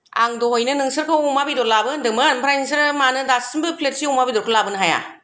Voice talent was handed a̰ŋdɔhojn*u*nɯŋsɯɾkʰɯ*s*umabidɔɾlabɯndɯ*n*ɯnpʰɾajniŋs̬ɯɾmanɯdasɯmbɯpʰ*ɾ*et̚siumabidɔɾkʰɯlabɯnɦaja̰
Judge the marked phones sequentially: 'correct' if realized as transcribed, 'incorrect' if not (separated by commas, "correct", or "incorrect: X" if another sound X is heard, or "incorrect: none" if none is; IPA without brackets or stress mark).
incorrect: ɯ, incorrect: none, incorrect: m, incorrect: l